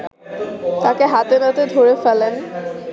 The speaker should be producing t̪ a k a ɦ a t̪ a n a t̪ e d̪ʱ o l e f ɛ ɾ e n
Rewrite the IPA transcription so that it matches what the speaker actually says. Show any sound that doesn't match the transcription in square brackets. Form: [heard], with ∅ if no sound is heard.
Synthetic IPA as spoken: t̪ a k [e] ɦ a t̪ [e] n a t̪ e d̪ʱ o [ɾ] e f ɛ [l] e n